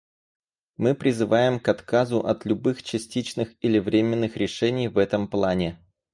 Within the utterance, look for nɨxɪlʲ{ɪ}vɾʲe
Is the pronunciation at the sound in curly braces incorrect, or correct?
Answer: correct